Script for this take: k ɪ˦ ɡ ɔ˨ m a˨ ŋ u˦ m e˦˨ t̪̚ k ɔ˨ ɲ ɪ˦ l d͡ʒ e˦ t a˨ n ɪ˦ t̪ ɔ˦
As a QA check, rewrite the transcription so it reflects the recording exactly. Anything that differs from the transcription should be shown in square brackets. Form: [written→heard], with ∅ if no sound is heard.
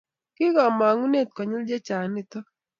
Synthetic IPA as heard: k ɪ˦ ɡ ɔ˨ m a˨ ŋ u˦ [m→n] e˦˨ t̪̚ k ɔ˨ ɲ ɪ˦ l d͡ʒ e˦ [t→t͡ʃ] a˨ n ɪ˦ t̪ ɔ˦